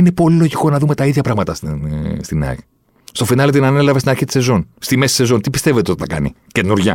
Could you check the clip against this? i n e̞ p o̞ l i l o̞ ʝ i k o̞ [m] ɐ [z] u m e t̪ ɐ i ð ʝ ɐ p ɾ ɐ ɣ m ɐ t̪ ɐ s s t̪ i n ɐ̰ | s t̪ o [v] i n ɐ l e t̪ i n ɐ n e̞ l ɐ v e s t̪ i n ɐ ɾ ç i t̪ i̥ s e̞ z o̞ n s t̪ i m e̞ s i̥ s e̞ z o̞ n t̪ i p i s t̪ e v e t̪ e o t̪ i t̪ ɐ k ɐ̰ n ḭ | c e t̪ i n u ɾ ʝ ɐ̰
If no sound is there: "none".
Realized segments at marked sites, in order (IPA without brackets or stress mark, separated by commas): n, ð, f